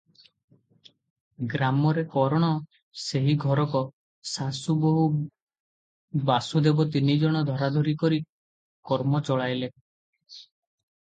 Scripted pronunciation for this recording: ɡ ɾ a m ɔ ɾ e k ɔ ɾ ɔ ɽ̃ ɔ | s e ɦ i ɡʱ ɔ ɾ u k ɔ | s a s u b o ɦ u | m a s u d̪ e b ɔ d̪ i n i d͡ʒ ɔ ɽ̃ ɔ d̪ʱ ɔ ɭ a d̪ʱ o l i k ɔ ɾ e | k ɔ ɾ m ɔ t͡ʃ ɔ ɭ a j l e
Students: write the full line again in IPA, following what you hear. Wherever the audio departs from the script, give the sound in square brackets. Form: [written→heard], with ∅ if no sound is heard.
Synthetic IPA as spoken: ɡ ɾ a m ɔ ɾ e k ɔ ɾ ɔ ɽ̃ ɔ | s e ɦ i ɡʱ ɔ ɾ [u→ɔ] k ɔ | s a s u b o ɦ u | [m→b] a s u d̪ e b ɔ [d̪→t̪] i n i d͡ʒ ɔ ɽ̃ ɔ d̪ʱ ɔ [ɭ→ɾ] a d̪ʱ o [l→ɾ] i k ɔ ɾ [e→i] | k ɔ ɾ m ɔ t͡ʃ ɔ ɭ a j l e